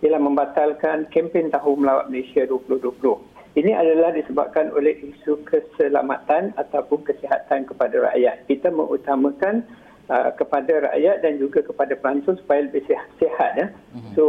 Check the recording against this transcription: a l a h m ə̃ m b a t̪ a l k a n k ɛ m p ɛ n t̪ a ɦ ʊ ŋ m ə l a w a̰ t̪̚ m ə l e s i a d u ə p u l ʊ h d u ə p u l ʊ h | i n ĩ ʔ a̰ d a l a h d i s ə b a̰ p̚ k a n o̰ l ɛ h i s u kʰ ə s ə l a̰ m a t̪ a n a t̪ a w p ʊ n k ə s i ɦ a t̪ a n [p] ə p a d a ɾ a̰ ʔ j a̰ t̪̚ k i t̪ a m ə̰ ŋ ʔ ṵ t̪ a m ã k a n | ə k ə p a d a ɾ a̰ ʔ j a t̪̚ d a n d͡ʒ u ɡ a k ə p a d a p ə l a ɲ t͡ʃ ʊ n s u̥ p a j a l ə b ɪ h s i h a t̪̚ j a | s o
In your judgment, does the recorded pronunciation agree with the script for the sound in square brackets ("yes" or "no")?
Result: no